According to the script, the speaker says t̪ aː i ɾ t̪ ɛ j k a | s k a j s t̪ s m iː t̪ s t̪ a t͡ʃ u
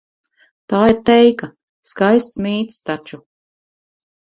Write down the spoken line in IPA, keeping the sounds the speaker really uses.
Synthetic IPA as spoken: t̪ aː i ɾ t̪ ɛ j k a | s k a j s t̪ s m iː t̪ s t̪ a t͡ʃ u